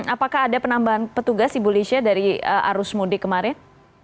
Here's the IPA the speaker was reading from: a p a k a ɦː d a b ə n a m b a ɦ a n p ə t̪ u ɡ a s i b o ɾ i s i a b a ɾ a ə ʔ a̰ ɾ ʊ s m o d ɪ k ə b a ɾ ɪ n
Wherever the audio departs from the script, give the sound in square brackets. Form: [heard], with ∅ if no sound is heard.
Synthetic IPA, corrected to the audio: a p a k a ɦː d a [p] ə n a m b a ɦ a n p ə t̪ u ɡ a s i b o [l] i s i a [d] a ɾ [i] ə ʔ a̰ ɾ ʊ s m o d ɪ k ə [m] a ɾ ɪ n